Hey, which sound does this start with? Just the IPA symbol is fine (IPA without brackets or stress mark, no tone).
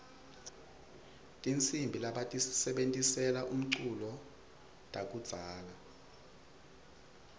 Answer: tʼ